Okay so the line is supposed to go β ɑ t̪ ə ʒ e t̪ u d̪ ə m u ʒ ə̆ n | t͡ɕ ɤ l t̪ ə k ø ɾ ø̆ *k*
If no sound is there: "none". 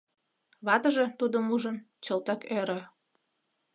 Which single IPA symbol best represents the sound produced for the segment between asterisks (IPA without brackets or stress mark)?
none